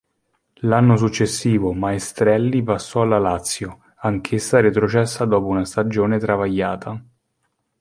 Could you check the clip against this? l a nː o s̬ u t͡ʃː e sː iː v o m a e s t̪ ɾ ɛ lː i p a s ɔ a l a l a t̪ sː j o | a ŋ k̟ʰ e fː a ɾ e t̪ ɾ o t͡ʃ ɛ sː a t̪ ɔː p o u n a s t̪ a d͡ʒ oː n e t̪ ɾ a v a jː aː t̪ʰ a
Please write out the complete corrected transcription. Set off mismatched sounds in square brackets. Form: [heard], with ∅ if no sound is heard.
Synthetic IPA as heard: l a nː o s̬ u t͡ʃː e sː iː v o m a e s t̪ ɾ ɛ lː i p a [sː] ɔ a l a l a t̪ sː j o | a ŋ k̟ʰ e [sː] a ɾ e t̪ ɾ o t͡ʃ ɛ sː a [d̪] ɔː p o u n a s t̪ a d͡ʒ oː n e t̪ ɾ a v a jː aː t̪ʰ a